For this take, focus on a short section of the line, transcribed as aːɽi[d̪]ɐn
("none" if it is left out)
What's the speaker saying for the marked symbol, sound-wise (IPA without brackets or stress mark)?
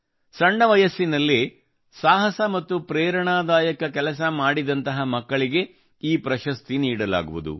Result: d̪